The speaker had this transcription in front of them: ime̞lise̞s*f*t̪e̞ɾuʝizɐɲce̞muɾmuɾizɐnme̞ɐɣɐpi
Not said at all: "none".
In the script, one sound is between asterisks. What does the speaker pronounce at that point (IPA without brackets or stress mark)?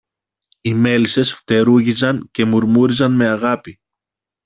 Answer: f